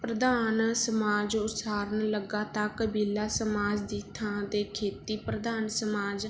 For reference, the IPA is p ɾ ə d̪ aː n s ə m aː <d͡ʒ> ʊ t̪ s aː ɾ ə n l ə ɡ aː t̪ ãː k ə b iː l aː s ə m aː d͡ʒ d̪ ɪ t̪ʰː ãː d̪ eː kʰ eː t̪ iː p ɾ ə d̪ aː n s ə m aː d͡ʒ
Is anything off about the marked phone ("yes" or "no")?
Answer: no